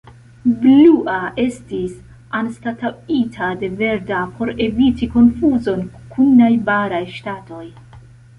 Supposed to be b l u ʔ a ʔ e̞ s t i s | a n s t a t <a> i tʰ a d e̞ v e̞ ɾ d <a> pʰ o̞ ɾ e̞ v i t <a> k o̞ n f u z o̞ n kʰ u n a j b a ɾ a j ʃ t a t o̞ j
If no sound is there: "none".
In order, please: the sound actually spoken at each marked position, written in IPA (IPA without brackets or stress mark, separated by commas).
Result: a, a, i